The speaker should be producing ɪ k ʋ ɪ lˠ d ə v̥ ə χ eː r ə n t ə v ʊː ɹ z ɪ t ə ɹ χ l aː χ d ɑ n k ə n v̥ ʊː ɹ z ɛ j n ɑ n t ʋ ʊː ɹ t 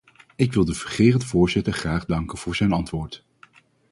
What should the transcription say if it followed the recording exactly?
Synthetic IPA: ɪ k ʋ ɪ lˠ d ə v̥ ə χ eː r ə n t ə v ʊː ɹ z ɪ t ə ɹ χ r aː χ d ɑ ŋ k ə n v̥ ʊː ɹ z ɛ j n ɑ n t ʋ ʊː ɹ t

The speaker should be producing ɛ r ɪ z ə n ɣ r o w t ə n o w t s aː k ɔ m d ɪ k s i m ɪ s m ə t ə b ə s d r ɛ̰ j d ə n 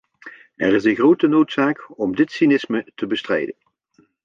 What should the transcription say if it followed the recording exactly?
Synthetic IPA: ɛ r ɪ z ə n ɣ r o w t ə n o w t s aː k ɔ m d ɪ t s i n ɪ s m ə t ə b ə s t r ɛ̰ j d ə n

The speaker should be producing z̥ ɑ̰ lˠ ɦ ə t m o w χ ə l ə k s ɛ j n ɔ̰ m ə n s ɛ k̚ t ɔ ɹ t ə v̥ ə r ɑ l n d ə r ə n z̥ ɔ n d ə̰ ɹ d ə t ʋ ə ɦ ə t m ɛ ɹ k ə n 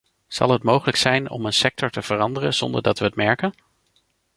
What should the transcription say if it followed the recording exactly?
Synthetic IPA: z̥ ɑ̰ lˠ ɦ ə t m o w χ ə l ə k s ɛ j n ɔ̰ m ə n s ɛ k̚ t ɔ ɹ t ə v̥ ə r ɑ n d ə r ə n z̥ ɔ n d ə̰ ɹ d ɑ t ʋ ə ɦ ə t m ɛ ɹ k ə n

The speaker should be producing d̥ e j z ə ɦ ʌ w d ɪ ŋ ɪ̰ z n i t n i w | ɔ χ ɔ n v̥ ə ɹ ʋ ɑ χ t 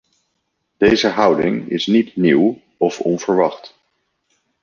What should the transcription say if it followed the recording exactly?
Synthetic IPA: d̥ e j z ə ɦ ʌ w d ɪ ŋ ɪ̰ s n i t n i w | ɔ f ɔ n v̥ ə ɹ ʋ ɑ χ t

